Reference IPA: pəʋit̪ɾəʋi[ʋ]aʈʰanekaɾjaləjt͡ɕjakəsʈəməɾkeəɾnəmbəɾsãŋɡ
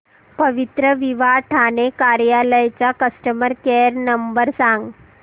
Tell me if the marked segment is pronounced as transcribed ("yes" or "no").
yes